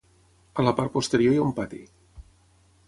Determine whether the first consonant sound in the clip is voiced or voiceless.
voiced